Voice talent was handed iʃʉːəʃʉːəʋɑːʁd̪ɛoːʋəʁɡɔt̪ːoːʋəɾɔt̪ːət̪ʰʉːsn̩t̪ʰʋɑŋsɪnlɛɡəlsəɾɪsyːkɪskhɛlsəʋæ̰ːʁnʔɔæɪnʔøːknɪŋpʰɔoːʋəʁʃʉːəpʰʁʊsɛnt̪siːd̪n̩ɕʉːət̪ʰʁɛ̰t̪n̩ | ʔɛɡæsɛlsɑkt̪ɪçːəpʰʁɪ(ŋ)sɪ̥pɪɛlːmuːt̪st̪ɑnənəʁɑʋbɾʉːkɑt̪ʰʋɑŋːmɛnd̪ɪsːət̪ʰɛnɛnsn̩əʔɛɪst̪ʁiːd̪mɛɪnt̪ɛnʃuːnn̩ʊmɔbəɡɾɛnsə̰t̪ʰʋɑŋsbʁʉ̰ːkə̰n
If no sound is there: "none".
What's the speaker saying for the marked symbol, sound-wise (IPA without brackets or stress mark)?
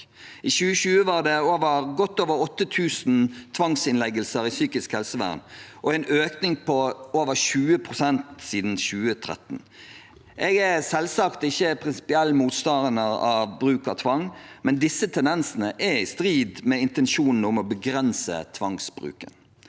n